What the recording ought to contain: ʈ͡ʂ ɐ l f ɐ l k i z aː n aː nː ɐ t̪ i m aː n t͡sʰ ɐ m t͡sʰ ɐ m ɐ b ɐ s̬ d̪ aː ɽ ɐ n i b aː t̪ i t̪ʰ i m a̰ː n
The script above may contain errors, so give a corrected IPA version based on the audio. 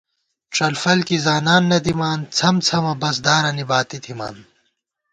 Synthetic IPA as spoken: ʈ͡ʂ ɐ l f ɐ l k i z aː n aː nː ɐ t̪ i m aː n t͡sʰ ɐ m t͡sʰ ɐ m ɐ b ɐ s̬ d̪ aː ɾ ɐ n i b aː t̪ i t̪ʰ i m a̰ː n